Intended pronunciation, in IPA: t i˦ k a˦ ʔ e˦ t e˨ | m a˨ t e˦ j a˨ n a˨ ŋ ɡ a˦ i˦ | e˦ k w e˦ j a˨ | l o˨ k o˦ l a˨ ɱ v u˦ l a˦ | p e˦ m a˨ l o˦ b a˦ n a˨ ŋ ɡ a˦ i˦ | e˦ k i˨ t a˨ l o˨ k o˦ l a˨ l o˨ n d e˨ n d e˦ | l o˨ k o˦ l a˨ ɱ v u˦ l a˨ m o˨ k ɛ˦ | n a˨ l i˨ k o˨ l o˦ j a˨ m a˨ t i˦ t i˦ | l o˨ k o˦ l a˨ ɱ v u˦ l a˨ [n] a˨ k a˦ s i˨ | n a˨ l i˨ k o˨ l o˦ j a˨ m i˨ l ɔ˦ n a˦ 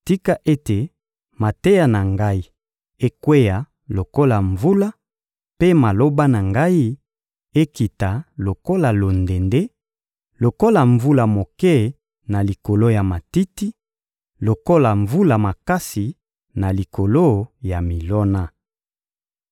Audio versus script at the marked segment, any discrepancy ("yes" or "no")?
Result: yes